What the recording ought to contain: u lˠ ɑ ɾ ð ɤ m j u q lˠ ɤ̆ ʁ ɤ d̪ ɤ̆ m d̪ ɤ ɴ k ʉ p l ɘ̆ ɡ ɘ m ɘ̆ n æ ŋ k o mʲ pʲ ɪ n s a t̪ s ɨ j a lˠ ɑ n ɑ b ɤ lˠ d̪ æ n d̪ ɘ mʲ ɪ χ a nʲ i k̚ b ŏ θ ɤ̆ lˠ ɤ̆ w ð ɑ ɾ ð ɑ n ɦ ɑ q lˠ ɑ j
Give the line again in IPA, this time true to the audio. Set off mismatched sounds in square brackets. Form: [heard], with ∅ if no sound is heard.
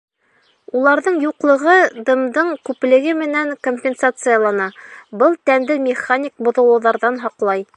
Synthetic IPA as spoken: u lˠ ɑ ɾ ð ɤ [ɴ] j u q lˠ ɤ̆ ʁ ɤ d̪ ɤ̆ m d̪ ɤ ɴ k ʉ p l ɘ̆ ɡ ɘ m ɘ̆ n æ ŋ k o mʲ pʲ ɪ n s a t̪ s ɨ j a lˠ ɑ n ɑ b ɤ lˠ [t̪] æ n d̪ ɘ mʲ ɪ χ a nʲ i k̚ b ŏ [ð] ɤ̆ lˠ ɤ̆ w ð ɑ ɾ ð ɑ n ɦ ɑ q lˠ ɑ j